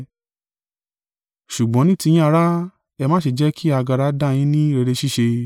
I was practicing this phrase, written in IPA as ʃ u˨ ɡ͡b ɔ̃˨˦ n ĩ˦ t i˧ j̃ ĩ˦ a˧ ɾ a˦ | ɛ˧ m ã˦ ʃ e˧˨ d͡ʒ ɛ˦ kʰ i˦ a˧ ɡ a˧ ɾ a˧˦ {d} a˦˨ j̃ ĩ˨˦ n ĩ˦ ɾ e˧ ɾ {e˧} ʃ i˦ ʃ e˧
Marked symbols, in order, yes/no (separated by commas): yes, yes